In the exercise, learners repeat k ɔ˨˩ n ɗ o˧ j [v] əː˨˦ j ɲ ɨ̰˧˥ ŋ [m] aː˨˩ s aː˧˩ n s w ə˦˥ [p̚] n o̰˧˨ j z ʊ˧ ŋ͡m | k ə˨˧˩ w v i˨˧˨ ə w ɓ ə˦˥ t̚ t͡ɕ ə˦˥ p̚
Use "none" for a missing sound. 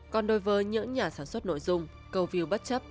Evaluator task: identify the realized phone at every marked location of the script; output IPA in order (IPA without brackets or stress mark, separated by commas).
v, ɲ, t̚